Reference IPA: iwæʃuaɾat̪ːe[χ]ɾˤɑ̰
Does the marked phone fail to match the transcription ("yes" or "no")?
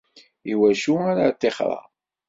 no